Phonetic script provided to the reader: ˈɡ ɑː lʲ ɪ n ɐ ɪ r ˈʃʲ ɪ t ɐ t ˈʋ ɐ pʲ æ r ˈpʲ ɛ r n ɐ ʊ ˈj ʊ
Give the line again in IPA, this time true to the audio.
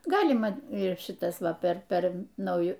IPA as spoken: ˈɡ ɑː lʲ ɪ m ɐ ɪ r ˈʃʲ ɪ t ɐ s ˈʋ ɐ pʲ ɛ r ˈpʲ ɛ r n ɐ ʊ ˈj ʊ